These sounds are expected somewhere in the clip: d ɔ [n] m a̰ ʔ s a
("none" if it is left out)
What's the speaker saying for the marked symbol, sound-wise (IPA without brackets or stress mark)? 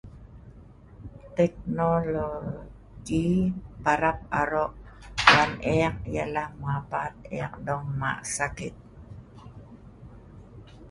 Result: ŋ